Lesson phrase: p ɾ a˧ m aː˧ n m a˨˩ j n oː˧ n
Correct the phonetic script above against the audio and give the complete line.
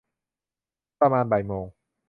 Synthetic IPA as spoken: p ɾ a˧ m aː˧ n b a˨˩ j m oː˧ ŋ